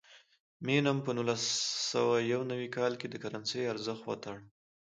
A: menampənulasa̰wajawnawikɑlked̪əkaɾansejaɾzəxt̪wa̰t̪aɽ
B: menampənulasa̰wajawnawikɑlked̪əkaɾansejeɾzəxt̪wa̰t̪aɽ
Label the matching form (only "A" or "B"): A